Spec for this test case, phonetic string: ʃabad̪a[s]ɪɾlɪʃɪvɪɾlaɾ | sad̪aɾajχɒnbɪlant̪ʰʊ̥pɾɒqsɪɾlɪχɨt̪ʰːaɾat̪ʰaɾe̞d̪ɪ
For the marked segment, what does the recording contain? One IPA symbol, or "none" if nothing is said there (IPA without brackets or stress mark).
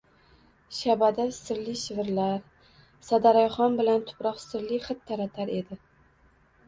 s